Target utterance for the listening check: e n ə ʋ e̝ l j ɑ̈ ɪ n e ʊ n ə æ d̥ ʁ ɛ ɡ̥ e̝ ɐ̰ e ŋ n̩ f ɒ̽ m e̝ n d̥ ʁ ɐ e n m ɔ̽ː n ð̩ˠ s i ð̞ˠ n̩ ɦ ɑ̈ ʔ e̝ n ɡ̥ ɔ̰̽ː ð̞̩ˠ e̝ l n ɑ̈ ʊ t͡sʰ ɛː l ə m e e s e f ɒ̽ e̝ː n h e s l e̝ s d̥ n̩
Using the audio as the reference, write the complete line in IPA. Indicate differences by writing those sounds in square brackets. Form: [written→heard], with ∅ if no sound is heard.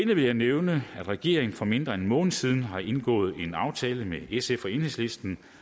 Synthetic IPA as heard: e n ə ʋ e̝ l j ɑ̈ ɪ n e ʊ n ə æ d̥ ʁ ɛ ɡ̥ e̝ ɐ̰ e ŋ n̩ f ɒ̽ m e̝ n d̥ ʁ ɐ e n m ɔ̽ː n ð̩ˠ s i ð̞ˠ n̩ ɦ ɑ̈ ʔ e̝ n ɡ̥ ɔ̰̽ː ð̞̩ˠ e̝ [l→∅] n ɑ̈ ʊ t͡sʰ ɛː l ə m e e s e f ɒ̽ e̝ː n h e s l e̝ s d̥ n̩